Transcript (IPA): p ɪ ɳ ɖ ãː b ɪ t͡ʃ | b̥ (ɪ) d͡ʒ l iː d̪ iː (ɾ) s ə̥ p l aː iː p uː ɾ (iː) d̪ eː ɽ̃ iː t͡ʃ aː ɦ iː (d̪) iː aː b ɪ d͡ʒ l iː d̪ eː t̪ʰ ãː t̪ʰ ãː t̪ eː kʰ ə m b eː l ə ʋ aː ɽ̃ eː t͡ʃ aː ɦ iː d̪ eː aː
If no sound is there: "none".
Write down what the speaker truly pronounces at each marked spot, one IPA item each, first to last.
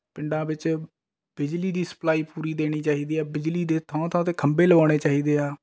ɪ, none, iː, d̪

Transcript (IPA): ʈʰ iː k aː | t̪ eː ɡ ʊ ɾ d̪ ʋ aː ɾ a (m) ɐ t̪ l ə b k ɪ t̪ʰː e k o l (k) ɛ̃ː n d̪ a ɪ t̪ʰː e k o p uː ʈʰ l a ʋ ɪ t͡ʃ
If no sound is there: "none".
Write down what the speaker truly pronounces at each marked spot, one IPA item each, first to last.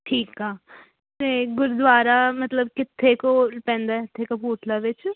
m, p

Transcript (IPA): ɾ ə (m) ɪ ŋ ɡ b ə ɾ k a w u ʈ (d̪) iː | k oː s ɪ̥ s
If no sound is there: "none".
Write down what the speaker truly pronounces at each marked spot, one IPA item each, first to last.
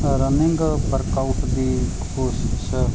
n, d̪

